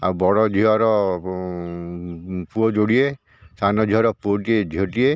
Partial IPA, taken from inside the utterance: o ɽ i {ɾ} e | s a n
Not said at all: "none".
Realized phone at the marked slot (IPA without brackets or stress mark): none